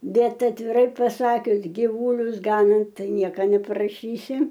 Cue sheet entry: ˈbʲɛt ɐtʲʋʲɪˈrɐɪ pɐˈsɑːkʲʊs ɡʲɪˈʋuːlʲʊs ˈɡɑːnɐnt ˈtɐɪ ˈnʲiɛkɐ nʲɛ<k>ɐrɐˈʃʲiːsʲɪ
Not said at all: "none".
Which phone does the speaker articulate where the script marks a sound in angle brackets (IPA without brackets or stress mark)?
p